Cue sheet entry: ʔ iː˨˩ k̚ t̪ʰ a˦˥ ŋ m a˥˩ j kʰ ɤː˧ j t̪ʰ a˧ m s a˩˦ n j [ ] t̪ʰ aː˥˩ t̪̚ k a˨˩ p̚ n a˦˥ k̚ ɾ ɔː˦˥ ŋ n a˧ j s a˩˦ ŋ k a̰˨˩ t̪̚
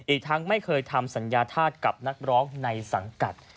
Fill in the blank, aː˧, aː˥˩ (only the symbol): aː˧